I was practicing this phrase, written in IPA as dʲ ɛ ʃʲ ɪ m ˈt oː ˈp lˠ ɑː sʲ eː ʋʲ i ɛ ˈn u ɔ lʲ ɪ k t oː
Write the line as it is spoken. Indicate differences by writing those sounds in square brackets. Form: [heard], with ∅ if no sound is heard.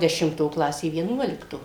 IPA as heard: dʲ ɛ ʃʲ ɪ m ˈt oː [ˈk] lˠ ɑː sʲ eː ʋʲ i ɛ ˈn u ɔ lʲ ɪ k t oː

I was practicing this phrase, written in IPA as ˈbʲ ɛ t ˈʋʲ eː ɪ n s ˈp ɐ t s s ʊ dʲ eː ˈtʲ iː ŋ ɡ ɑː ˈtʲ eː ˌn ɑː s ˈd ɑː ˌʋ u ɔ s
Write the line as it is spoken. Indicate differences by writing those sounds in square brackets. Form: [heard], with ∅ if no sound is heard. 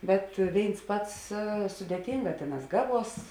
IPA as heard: ˈbʲ ɛ t ˈʋʲ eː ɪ n s ˈp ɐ t s s ʊ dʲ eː ˈtʲ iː ŋ ɡ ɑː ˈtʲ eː ˌn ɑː s [ˈɡ] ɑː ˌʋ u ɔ s

